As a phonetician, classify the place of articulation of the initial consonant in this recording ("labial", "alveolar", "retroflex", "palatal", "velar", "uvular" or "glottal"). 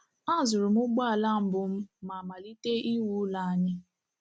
alveolar